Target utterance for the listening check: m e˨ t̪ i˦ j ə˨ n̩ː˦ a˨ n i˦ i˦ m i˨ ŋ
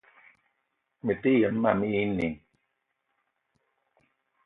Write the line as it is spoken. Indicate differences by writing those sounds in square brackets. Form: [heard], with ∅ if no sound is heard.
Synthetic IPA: m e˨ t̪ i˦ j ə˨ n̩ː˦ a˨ [m] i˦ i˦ [n] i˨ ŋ

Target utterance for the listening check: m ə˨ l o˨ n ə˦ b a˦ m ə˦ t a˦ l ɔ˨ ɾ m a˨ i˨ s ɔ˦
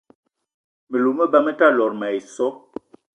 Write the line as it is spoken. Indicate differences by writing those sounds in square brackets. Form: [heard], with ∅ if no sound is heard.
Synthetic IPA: m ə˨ l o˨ [m] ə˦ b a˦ m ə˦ t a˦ l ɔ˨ ɾ m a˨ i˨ s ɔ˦

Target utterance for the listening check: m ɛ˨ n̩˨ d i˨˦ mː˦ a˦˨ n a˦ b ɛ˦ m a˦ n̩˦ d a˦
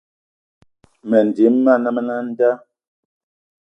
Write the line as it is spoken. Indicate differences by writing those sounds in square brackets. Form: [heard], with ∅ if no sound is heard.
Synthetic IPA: m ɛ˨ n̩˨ d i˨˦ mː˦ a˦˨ n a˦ [m] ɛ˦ [n] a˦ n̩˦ d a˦

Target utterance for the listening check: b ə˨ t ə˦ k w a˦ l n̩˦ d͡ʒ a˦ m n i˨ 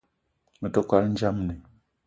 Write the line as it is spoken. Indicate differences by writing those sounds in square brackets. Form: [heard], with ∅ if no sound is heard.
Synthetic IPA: [m] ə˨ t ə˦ k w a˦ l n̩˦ d͡ʒ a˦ m n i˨

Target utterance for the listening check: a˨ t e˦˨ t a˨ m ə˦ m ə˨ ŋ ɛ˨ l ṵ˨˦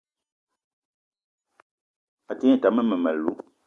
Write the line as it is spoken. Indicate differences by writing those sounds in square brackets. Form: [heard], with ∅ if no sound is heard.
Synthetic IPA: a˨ t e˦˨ t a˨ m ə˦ m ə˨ [m] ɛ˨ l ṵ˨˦

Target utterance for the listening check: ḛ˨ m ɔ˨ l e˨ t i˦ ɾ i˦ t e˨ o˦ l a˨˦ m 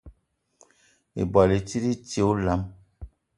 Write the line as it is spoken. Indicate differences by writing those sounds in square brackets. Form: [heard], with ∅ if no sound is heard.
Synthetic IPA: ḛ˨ [b] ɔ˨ l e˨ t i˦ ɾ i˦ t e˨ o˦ l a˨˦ m

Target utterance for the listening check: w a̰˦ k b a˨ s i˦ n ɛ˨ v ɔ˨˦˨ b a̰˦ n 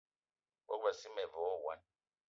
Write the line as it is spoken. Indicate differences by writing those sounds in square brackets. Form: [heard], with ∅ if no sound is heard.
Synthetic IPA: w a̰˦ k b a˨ s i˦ [m] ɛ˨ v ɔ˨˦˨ [w] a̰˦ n

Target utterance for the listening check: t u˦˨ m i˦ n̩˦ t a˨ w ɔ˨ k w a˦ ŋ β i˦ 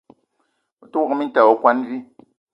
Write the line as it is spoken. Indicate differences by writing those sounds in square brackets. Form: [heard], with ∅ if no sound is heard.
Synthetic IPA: t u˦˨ m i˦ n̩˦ t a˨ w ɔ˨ k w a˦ [n] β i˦

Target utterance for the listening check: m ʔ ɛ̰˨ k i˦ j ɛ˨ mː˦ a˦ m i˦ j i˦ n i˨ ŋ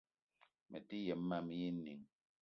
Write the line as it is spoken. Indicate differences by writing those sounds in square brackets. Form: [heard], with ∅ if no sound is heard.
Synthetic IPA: m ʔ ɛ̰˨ [t] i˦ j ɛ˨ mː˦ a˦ m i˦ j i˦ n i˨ ŋ

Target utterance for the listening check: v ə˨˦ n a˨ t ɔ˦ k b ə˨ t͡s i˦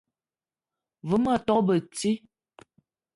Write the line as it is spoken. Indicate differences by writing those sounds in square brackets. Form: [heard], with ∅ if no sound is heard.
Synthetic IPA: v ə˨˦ [m] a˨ t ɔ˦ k b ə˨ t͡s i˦

